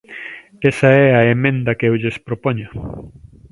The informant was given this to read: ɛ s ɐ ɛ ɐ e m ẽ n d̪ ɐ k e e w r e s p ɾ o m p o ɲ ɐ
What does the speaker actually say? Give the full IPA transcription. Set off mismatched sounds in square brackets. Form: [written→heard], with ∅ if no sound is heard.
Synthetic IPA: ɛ s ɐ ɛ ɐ e m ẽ n d̪ ɐ k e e w [r→ʎ] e s p ɾ o [m→∅] p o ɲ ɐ